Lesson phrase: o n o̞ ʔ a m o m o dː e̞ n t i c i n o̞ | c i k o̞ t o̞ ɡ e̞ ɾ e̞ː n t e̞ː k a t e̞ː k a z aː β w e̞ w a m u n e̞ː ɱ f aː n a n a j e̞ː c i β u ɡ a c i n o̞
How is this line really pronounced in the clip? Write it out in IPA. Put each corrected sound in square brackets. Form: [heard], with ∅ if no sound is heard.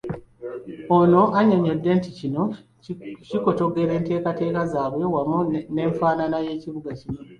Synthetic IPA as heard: o n o̞ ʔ a [ɲ] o [ɲ] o dː e̞ n t i c i n o̞ | c i k o̞ t o̞ ɡ e̞ ɾ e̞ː n t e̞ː k a t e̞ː k a z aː β w e̞ w a m u n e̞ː ɱ f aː n a n a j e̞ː c i β u ɡ a c i n o̞